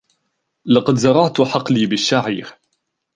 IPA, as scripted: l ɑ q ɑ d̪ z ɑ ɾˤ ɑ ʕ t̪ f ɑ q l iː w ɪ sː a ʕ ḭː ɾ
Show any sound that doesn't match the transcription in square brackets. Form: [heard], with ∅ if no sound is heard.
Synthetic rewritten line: l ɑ q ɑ d̪ z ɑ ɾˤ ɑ ʕ t̪ [ħ] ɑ q l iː [b] ɪ [ʃː] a ʕ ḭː ɾ